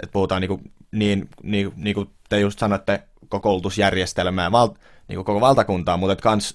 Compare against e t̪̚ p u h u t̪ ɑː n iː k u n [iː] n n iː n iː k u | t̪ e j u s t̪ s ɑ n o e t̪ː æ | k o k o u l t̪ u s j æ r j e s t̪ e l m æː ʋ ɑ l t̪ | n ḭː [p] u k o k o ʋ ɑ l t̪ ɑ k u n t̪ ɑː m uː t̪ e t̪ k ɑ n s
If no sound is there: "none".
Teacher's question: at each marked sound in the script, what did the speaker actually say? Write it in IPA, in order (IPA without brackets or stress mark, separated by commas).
iː, k